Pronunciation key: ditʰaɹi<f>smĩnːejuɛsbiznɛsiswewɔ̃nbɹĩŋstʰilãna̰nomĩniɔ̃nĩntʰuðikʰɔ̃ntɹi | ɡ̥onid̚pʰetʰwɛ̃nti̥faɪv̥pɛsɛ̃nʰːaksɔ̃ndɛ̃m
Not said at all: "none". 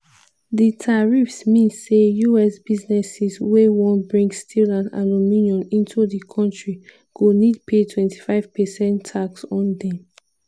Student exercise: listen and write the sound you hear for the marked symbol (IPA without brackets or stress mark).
f